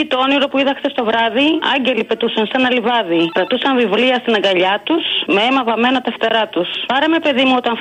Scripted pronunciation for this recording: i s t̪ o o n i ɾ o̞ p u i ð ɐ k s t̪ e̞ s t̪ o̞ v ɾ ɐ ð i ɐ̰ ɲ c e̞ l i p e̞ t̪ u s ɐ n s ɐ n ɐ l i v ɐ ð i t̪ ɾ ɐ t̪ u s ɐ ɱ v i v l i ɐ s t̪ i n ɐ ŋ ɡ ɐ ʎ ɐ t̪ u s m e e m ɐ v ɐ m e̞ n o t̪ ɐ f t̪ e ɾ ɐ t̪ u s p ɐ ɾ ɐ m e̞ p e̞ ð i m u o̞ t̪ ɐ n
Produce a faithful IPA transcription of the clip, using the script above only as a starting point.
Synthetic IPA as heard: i t̪ o o n i ɾ o̞ p u i ð ɐ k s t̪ e̞ s t̪ o̞ v ɾ ɐ ð i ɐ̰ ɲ ɟ e̞ l i p e̞ t̪ u s ɐ n s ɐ n ɐ l i v ɐ ð i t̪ ɾ ɐ t̪ u s ɐ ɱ v i v l i ɐ s t̪ i n ɐ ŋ ɡ ɐ ʎ ɐ t̪ u s m e e m ɐ v ɐ m e̞ n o t̪ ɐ f t̪ e ɾ ɐ t̪ u s p ɐ ɾ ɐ m e̞ p e̞ ð i m u o̞ t̪ ɐ n